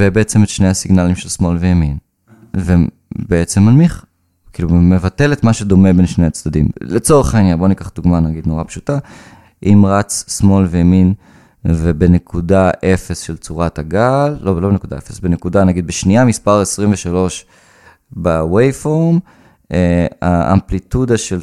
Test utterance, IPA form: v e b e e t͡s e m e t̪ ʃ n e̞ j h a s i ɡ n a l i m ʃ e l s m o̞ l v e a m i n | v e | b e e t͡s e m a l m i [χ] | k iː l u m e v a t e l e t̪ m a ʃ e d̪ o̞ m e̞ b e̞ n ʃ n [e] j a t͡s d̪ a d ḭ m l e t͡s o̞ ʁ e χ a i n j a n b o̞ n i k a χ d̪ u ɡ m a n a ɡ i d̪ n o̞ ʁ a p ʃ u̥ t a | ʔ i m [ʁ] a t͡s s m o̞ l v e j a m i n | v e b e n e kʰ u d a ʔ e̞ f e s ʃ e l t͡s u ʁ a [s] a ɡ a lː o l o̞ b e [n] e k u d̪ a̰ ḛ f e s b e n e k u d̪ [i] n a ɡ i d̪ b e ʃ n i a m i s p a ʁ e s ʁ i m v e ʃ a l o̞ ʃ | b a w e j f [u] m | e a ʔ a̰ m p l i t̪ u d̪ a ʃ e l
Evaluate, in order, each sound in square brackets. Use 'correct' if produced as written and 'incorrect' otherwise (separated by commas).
correct, correct, correct, incorrect, correct, incorrect, incorrect